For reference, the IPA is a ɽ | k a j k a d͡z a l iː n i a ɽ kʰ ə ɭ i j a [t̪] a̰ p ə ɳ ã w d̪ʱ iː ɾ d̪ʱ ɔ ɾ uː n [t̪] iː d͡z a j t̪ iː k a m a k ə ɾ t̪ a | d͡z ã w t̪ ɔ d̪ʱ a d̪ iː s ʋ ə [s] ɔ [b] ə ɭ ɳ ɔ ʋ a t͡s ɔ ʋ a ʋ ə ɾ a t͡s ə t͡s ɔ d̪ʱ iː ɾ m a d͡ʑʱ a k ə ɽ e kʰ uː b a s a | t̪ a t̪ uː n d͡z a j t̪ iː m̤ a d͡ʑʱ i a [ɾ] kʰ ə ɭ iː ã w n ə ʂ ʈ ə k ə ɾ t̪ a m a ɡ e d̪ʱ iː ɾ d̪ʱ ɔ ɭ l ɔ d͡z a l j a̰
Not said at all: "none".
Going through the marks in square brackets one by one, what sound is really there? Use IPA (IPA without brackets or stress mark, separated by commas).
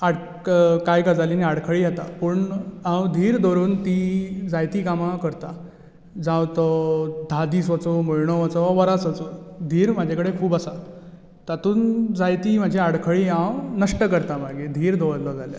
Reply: t̪, t̪, t͡s, m, ɽ